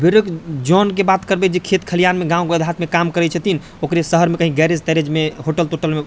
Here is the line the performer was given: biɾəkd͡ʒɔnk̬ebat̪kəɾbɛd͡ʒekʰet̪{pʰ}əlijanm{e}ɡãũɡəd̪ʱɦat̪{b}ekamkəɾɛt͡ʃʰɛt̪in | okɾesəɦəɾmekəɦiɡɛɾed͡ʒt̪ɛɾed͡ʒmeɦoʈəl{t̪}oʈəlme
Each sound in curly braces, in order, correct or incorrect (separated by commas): incorrect, correct, incorrect, correct